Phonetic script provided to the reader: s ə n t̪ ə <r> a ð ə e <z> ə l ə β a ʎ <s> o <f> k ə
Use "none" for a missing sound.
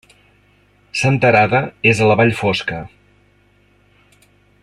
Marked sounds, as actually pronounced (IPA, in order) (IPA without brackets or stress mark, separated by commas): ɾ, z, f, s